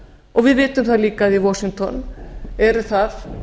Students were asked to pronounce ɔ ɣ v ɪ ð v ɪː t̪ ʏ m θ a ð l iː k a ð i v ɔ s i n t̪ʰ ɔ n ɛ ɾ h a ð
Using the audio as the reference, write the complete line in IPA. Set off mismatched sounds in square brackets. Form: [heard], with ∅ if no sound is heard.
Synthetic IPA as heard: ɔ ɣ v ɪ ð v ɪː t̪ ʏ m θ a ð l iː k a ð i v ɔ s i [ŋ] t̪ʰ ɔ n ɛ ɾ [θ] a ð